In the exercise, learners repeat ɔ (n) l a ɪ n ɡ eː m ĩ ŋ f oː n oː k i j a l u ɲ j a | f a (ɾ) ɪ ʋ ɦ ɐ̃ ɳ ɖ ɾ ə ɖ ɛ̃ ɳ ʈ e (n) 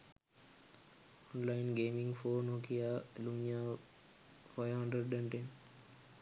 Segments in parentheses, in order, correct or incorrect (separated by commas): correct, incorrect, correct